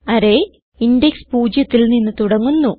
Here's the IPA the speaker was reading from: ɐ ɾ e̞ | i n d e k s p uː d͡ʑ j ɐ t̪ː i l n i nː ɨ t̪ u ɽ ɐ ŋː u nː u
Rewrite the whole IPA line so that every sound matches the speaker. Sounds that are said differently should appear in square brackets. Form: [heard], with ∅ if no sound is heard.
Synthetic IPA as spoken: ɐ ɾ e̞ | i n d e k s p uː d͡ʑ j ɐ t̪ː i l n i nː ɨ t̪ u ɽ ɐ ŋː u nː u